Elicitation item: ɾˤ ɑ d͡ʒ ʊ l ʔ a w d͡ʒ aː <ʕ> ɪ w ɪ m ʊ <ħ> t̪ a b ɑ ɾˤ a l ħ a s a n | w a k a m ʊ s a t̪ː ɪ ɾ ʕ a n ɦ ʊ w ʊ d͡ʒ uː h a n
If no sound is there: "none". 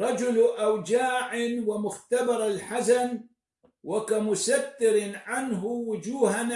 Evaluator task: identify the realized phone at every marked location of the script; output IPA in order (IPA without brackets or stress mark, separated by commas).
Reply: ʕ, x